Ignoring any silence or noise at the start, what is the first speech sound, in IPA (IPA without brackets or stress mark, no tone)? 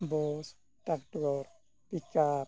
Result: b